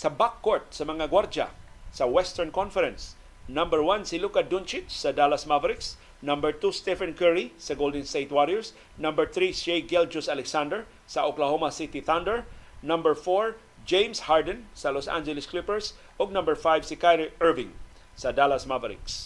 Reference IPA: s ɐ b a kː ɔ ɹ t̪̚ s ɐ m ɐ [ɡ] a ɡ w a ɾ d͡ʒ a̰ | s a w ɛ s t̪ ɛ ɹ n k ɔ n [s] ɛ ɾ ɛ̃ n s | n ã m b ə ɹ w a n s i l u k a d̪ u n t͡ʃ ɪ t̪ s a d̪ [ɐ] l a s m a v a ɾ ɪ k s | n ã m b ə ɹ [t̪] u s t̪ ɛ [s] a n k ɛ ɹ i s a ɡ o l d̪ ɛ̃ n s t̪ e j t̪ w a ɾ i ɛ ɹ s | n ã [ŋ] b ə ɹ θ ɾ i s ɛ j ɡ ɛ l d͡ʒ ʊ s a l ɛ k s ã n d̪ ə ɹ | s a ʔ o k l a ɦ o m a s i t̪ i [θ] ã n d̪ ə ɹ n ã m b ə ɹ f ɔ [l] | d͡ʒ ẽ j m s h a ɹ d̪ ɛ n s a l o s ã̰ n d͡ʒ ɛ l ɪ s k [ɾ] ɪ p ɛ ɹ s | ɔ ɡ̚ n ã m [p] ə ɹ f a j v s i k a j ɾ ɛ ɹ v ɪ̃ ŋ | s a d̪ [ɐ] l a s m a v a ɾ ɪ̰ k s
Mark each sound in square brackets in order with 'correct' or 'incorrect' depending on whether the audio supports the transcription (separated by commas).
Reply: incorrect, incorrect, incorrect, correct, incorrect, incorrect, correct, incorrect, incorrect, incorrect, incorrect